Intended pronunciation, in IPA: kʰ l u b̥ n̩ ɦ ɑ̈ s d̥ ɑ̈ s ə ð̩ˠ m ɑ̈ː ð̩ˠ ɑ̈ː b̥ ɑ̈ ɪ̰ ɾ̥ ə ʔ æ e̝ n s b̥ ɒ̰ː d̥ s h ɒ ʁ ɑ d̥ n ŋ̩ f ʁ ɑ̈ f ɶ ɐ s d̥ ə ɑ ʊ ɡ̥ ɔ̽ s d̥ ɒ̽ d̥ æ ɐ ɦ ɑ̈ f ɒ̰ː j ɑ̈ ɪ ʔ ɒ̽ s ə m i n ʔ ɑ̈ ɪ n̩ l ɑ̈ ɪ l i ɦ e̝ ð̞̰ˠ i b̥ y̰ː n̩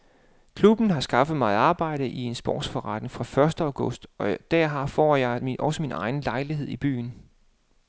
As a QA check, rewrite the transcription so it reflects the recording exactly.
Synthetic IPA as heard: kʰ l u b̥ n̩ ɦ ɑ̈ s ɡ̥ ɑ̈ f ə ð̩ˠ m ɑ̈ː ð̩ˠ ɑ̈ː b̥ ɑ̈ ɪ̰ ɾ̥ ə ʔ i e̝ n s b̥ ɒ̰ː d̥ s f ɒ ʁ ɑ d̥ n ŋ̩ f ʁ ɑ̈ f ɶ ɐ s d̥ ə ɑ ʊ ɡ̥ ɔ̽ s d̥ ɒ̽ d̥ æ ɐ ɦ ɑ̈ f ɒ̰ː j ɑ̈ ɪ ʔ ɒ̽ s ə m i n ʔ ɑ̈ ɪ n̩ l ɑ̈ ɪ l i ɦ e̝ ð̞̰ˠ i b̥ y̰ː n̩